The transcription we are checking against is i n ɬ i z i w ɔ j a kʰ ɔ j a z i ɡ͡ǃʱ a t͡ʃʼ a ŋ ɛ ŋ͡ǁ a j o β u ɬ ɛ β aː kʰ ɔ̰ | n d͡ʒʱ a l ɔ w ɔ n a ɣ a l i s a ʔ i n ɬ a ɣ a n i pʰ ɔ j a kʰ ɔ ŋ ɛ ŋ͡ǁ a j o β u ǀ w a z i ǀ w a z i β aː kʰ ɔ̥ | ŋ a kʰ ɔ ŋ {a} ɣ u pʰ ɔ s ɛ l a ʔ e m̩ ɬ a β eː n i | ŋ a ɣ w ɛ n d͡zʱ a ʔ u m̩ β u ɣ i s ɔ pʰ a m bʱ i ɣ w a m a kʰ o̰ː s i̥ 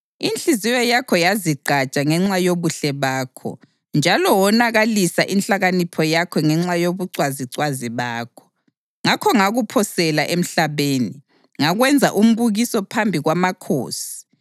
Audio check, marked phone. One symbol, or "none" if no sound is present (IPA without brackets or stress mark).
a